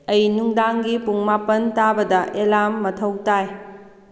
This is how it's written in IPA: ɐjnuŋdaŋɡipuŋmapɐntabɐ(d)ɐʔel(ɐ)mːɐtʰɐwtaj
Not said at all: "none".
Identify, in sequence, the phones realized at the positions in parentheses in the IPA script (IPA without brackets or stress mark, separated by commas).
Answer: d, a